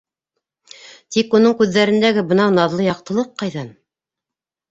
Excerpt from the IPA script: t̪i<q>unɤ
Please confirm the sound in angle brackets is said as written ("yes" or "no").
no